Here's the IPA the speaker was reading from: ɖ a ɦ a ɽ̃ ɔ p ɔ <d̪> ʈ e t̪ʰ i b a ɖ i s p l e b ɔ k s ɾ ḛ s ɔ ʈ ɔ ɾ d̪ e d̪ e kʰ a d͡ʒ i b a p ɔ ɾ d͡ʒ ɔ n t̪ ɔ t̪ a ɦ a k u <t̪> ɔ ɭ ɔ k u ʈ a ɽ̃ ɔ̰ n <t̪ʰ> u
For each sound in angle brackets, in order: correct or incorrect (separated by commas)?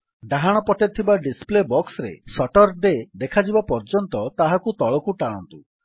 incorrect, correct, incorrect